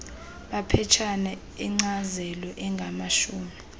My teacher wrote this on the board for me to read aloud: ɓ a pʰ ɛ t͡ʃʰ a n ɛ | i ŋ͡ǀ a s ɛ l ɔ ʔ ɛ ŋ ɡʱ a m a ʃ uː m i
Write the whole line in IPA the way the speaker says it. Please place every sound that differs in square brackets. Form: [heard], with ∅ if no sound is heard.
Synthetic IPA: ɓ a pʰ ɛ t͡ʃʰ a n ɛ | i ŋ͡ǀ a [z] ɛ l ɔ ʔ ɛ ŋ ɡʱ a m a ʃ uː m i